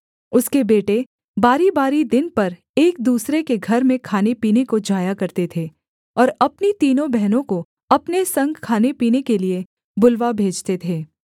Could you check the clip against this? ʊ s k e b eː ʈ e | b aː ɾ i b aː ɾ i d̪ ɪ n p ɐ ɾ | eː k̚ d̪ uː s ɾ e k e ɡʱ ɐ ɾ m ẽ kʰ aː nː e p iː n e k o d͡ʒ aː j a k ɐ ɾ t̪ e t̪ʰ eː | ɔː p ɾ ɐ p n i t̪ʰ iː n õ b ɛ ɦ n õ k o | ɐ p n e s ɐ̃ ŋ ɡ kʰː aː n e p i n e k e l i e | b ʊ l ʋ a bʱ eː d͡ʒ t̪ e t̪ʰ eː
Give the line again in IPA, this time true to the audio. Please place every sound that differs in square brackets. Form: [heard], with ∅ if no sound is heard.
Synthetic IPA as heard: ʊ s k e b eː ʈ e | b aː ɾ i b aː ɾ i d̪ ɪ n p ɐ ɾ | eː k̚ d̪ uː s ɾ e k e ɡʱ ɐ ɾ m ẽ kʰ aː [n] e p iː n e k o d͡ʒ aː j a k ɐ ɾ t̪ e t̪ʰ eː | ɔː [∅] ɾ ɐ p n i [t̪] iː n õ b ɛ ɦ n õ k o | ɐ p n e s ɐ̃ ŋ ɡ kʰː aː n e p [iː] n e k e l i e | b ʊ l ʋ a bʱ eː d͡ʒ t̪ e t̪ʰ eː

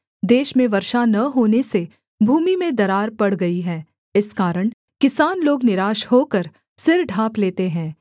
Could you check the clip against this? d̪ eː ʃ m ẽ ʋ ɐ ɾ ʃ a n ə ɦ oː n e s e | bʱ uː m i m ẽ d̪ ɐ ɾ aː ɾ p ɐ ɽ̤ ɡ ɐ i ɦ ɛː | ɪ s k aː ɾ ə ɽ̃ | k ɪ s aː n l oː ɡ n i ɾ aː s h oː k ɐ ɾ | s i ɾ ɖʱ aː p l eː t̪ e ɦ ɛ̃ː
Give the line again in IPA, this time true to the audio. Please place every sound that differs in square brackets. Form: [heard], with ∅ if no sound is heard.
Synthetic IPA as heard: d̪ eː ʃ m ẽ ʋ ɐ ɾ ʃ a n [ɐ] ɦ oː n e s e | bʱ uː m i m ẽ d̪ ɐ ɾ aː ɾ p ɐ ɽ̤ ɡ ɐ i ɦ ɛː | ɪ s k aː ɾ ə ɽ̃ | k ɪ s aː n l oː ɡ n [ɪ] ɾ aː [ʃ] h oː k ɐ ɾ | s [ɪ] ɾ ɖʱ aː p l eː t̪ e ɦ ɛ̃ː

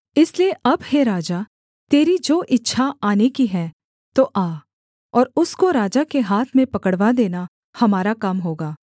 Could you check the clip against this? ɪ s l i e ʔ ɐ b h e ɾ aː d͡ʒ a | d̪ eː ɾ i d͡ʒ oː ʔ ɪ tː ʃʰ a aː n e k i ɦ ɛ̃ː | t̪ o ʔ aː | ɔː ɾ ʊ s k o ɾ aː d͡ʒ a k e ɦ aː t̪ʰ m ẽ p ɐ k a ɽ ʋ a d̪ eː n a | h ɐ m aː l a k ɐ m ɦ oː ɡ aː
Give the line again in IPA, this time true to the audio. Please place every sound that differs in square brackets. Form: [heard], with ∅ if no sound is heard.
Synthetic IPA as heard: ɪ s l i e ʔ ɐ b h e ɾ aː d͡ʒ a | [t̪] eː ɾ i d͡ʒ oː ʔ ɪ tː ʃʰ a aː n e k i ɦ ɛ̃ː | t̪ o ʔ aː | ɔː ɾ ʊ s k o ɾ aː d͡ʒ a k e ɦ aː t̪ʰ m ẽ p ɐ k [ə] ɽ ʋ a d̪ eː n a | h ɐ m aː [ɾ] a k ɐ m ɦ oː ɡ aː

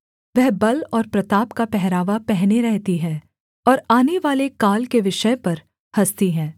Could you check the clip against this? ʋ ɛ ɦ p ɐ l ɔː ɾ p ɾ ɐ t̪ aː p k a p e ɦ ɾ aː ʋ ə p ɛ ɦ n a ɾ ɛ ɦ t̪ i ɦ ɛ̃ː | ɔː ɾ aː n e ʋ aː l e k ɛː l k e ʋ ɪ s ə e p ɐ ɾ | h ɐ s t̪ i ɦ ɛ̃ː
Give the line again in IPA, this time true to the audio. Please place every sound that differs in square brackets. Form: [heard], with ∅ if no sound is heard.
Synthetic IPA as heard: ʋ ɛ ɦ [b] ɐ l ɔː ɾ p ɾ ɐ t̪ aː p k a p [ɛ] ɦ ɾ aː ʋ [a] p ɛ ɦ n [e] ɾ ɛ ɦ t̪ i ɦ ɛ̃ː | ɔː ɾ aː n e ʋ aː l e k [aː] l k e ʋ ɪ [ʃ] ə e p ɐ ɾ | h ɐ s t̪ i ɦ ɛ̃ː

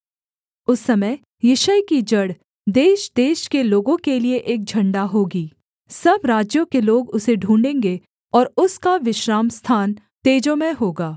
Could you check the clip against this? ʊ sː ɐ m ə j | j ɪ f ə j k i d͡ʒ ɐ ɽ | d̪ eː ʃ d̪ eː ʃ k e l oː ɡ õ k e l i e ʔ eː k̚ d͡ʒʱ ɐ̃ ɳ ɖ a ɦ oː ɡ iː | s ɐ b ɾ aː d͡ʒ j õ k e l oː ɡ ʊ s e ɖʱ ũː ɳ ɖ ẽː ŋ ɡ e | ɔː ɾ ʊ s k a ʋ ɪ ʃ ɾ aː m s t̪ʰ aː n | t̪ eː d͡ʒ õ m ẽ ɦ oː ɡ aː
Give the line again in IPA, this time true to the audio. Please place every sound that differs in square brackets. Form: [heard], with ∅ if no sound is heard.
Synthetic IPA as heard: ʊ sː ɐ m ə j | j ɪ [ʃ] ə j k i d͡ʒ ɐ ɽ | d̪ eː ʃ d̪ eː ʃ k e l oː ɡ õ k e l i e ʔ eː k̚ d͡ʒʱ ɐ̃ ɳ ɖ a ɦ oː ɡ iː | s ɐ b ɾ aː d͡ʒ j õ k e l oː ɡ ʊ s e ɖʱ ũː ɳ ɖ ẽː ŋ ɡ e | ɔː ɾ ʊ s k a ʋ ɪ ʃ ɾ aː m s t̪ʰ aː n | t̪ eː d͡ʒ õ m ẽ ɦ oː ɡ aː

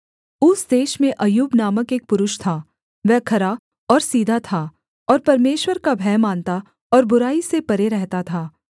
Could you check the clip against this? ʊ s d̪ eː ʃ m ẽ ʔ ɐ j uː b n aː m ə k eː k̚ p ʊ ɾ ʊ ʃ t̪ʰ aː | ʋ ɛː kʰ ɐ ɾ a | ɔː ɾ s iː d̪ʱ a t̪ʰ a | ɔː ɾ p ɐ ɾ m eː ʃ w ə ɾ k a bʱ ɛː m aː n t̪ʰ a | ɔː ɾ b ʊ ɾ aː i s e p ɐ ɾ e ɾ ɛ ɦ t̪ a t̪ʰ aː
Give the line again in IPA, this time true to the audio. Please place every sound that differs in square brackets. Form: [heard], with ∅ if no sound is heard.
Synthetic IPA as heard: ʊ s d̪ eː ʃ m ẽ ʔ ɐ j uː b n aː m ə k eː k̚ p ʊ ɾ ʊ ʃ t̪ʰ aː | ʋ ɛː kʰ ɐ ɾ a | ɔː ɾ s iː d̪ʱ a t̪ʰ a | ɔː ɾ p ɐ ɾ m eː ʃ w ə ɾ k a bʱ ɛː m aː n [t̪] a | ɔː ɾ b ʊ ɾ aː i s e p ɐ ɾ e ɾ ɛ ɦ t̪ a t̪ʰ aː

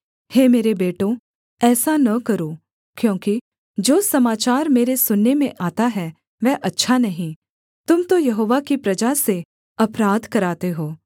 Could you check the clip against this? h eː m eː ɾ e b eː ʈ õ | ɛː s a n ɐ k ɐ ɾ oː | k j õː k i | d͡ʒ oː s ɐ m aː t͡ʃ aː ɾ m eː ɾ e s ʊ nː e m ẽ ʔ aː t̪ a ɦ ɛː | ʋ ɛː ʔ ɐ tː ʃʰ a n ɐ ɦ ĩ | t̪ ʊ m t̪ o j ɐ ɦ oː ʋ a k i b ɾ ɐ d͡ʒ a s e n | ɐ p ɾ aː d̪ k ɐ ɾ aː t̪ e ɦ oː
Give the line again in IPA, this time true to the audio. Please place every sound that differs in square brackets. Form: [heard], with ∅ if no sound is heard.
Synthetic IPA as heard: h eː m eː ɾ e b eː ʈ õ | ɛː s a n ɐ k ɐ ɾ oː | k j õː k i | d͡ʒ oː s ɐ m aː t͡ʃ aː ɾ m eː ɾ e s ʊ nː e m ẽ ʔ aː t̪ a ɦ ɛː | ʋ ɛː ʔ ɐ tː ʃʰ a n ɐ ɦ ĩ | t̪ ʊ m t̪ o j ɐ ɦ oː ʋ a k i [p] ɾ ɐ d͡ʒ a s e [∅] | ɐ p ɾ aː d̪ k ɐ ɾ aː t̪ e ɦ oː

